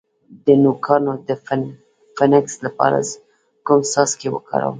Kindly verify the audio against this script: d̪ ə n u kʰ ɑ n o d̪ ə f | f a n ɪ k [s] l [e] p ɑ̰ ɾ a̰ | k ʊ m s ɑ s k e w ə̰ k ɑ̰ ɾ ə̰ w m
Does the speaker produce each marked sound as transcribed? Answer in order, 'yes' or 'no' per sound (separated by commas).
yes, no